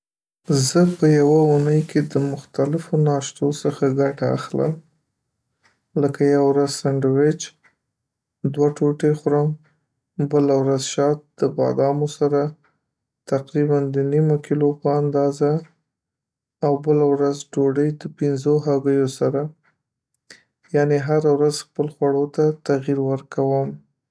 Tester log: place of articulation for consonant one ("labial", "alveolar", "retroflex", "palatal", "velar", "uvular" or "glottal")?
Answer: alveolar